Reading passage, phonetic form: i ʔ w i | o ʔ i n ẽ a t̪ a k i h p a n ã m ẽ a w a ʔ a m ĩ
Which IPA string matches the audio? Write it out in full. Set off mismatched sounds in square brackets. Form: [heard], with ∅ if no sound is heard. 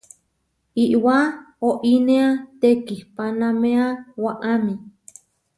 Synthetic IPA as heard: i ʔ w [a] | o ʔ i n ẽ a t̪ [e] k i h p a n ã m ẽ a w a ʔ a m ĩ